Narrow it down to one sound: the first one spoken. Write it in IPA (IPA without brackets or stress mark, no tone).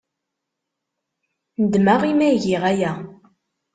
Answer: n